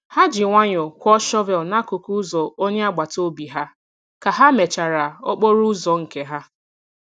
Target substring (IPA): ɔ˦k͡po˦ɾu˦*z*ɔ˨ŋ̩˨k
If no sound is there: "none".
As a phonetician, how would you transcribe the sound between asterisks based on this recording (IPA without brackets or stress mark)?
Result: z